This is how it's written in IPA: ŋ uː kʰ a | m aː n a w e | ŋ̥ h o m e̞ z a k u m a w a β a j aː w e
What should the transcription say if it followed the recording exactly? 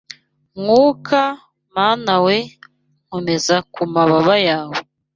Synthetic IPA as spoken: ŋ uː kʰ a | m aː n a w e | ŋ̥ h o m e̞ z a k u m a β a β a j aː w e

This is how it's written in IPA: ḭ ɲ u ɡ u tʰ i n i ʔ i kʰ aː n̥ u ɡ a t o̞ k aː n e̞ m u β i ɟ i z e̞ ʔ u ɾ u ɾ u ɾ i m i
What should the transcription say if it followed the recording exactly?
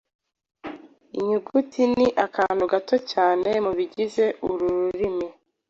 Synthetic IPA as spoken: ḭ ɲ u ɡ u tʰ i n i ʔ a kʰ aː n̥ u ɡ a t o̞ c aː n e̞ m u β i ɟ i z e̞ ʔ u ɾ u ɾ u ɾ i m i

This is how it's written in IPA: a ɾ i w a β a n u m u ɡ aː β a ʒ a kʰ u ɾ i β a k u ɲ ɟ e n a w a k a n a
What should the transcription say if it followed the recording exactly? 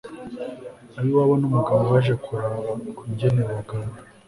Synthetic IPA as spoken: a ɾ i w a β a n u m u ɡ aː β a ʒ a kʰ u ɾ a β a k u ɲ ɟ e n e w a ɡ a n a

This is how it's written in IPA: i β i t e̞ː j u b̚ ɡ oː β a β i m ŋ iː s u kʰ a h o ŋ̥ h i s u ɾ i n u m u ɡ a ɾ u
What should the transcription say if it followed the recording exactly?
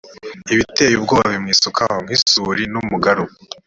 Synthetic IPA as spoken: i β i t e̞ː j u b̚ ɡ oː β a β i m ŋ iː s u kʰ a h o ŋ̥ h i s u ɾ i n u m u ɡ a ɾ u

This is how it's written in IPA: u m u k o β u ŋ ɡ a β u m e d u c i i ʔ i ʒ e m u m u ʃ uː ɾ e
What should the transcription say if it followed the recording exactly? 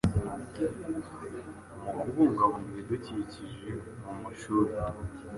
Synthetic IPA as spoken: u m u k u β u ŋ ɡ a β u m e d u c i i c i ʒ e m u m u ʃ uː ɾ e

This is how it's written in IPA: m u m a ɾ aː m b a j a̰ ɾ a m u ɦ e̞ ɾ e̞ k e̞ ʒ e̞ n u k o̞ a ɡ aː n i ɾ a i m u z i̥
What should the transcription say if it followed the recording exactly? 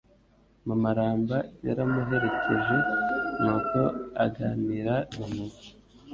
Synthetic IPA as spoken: m u m a ɾ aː m b a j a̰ ɾ a m u ɦ e̞ ɾ e̞ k e̞ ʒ e̞ n u k o̞ a ɡ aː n i ɾ a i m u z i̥

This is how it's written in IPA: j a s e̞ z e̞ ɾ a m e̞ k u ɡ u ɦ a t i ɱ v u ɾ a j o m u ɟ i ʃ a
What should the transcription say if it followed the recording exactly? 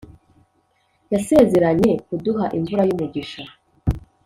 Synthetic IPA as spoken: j a s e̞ z e̞ ɾ a ɲ e̞ k u d u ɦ a ʔ i ɱ v u ɾ a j u m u ɟ i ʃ a

